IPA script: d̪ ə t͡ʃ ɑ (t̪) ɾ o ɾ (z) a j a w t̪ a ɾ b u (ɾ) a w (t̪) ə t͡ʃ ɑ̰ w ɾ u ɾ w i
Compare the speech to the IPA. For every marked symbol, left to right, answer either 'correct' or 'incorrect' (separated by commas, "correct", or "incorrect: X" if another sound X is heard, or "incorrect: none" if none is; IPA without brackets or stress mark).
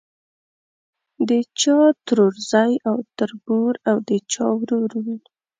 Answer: correct, correct, correct, incorrect: d̪